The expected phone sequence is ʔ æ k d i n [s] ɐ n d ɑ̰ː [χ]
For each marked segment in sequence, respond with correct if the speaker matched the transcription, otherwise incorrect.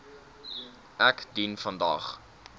incorrect: f, correct

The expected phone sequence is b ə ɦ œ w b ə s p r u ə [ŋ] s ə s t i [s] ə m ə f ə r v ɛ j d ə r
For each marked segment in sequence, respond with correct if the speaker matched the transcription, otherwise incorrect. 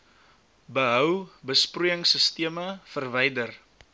correct, incorrect: none

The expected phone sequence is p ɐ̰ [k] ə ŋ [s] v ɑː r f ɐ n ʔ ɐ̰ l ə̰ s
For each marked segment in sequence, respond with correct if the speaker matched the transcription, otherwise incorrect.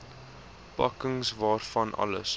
correct, correct

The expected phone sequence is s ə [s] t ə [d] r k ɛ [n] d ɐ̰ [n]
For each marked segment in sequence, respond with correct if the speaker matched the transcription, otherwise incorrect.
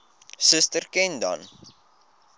correct, incorrect: none, correct, correct

